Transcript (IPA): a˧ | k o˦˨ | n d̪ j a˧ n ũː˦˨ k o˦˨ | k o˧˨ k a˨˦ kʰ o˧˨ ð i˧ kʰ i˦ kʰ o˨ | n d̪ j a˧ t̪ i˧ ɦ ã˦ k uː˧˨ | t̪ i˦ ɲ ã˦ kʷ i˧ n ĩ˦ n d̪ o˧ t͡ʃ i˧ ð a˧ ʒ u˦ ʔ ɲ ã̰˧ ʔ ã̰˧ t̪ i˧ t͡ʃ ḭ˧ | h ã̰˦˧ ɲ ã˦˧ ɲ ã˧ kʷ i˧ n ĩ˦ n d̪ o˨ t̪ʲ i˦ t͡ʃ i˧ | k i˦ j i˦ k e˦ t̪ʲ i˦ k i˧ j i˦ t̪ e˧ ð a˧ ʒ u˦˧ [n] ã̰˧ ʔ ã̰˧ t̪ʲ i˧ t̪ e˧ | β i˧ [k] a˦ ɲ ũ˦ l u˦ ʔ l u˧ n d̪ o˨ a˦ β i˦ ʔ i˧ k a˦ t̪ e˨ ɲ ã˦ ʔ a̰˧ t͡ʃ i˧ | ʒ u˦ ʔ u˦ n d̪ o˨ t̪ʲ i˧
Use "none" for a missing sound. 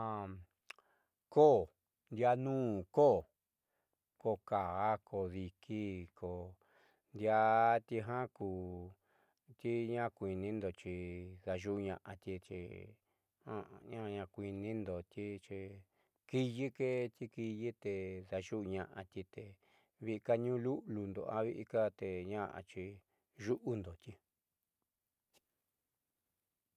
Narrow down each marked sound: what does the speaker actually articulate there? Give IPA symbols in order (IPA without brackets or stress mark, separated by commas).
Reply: ɲ, k